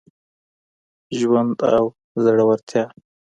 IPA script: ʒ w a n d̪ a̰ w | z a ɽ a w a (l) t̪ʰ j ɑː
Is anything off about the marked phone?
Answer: yes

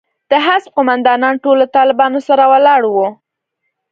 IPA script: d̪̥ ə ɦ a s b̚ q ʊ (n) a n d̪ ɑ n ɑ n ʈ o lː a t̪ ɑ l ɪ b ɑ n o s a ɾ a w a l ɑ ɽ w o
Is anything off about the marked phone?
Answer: yes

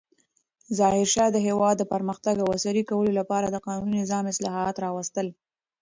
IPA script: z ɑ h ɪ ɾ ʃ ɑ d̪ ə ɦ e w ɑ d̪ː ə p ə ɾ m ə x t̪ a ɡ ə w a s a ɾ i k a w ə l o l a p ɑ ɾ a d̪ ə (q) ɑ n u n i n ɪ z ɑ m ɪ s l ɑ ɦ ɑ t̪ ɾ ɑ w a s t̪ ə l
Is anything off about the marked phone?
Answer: no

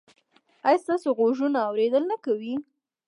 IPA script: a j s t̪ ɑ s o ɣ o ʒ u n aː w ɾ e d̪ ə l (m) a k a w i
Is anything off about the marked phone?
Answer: yes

